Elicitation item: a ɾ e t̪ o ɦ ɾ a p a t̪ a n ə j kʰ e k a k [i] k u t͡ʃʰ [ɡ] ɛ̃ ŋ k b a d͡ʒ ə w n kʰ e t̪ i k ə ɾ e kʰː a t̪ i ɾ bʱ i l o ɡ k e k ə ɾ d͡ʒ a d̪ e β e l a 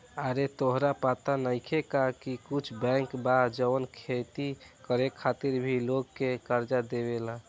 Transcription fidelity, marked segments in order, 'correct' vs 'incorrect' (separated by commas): correct, incorrect